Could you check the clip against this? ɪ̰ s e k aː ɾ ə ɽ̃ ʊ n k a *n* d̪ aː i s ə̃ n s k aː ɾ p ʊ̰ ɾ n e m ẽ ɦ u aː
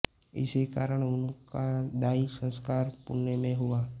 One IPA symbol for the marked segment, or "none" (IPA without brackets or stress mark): none